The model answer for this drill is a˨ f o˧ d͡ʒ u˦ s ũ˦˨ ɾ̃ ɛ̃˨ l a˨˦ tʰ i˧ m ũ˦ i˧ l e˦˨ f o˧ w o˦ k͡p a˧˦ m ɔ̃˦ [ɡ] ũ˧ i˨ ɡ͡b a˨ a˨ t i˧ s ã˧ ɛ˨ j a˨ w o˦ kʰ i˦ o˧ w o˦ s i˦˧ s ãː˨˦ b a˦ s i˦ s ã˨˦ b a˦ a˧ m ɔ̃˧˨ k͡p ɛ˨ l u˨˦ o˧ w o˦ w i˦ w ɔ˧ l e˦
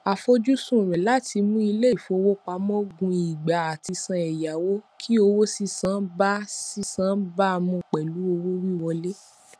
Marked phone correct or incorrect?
correct